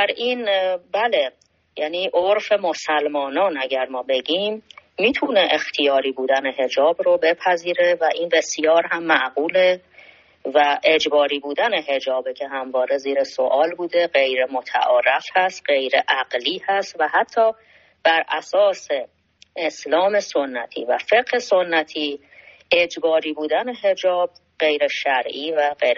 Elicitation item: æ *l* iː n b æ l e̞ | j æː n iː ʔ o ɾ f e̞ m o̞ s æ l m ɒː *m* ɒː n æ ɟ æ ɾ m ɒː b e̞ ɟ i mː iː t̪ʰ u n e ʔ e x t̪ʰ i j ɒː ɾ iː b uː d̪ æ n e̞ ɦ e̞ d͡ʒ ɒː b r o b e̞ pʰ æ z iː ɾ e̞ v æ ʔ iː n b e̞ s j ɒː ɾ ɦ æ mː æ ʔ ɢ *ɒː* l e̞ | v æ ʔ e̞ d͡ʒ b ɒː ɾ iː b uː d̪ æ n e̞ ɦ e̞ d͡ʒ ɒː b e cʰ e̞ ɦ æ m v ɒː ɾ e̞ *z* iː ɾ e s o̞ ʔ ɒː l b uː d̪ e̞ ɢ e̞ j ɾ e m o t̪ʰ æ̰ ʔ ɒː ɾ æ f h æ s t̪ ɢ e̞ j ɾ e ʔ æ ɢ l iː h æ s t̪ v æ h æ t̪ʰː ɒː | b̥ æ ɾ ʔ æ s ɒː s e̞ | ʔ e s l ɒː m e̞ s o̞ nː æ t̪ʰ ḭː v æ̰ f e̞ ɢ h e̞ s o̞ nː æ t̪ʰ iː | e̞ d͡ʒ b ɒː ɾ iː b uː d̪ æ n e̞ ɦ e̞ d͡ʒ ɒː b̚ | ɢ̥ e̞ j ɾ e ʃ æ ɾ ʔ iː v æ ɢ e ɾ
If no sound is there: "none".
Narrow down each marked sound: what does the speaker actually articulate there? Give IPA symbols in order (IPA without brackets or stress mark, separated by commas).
ɾ, n, uː, z